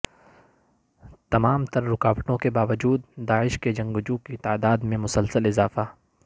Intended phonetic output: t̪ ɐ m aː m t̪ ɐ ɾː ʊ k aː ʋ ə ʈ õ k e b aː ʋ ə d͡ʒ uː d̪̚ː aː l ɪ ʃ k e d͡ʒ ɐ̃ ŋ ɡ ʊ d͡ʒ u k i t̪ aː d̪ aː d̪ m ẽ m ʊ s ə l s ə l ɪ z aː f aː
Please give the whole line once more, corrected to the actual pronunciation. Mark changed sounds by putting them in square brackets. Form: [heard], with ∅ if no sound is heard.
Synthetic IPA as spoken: t̪ ɐ m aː m t̪ ɐ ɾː ʊ k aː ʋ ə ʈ õ k e b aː ʋ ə d͡ʒ uː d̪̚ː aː [∅] ɪ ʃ k e d͡ʒ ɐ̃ ŋ ɡ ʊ d͡ʒ u k i t̪ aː d̪ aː d̪ m ẽ m ʊ s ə l s ə l ɪ z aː f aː